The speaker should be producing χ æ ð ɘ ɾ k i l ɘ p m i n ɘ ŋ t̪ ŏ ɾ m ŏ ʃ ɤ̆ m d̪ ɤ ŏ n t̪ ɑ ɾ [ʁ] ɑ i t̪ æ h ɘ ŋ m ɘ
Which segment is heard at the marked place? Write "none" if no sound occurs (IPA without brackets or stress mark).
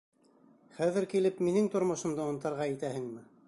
ʁ